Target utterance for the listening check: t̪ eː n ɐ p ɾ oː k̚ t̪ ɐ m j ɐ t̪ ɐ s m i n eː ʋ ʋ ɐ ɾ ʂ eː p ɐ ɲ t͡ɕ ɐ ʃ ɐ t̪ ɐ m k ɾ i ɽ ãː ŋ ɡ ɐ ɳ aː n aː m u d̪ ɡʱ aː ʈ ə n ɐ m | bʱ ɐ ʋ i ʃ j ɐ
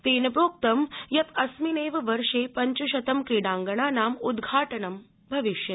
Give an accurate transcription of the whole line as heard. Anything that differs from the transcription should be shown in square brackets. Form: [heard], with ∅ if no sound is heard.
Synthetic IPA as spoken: t̪ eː n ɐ p ɾ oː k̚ t̪ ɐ m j ɐ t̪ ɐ s m i n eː ʋ ʋ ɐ ɾ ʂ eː p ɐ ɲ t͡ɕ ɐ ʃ ɐ t̪ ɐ m k ɾ i ɽ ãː ŋ ɡ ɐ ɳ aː n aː m u d̪ ɡʱ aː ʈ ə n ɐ m | bʱ ɐ ʋ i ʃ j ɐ

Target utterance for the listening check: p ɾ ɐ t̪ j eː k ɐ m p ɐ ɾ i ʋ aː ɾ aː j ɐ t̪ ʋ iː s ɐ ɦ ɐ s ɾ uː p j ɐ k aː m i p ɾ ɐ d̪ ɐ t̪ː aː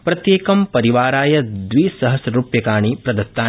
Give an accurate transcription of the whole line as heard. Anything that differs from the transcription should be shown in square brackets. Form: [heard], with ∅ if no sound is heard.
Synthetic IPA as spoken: p ɾ ɐ t̪ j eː k ɐ m p ɐ ɾ i ʋ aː ɾ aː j ɐ [d̪] ʋ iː s ɐ ɦ ɐ s ɾ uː p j ɐ k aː [ɳ] i p ɾ ɐ d̪ ɐ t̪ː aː

